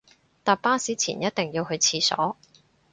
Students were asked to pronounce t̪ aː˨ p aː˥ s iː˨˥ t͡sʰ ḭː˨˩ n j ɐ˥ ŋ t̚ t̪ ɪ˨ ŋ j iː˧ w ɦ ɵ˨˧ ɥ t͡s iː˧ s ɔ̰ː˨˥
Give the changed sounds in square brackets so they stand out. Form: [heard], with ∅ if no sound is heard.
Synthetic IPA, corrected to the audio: t̪ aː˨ p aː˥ s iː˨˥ t͡sʰ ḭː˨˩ n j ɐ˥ [∅] t̚ t̪ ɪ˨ ŋ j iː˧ w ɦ ɵ˨˧ ɥ [t͡sʰ] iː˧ s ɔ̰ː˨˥